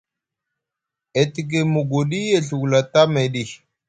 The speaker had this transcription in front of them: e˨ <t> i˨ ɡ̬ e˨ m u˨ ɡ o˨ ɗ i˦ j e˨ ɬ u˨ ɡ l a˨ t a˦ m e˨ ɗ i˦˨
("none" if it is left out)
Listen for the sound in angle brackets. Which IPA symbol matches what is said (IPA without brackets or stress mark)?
t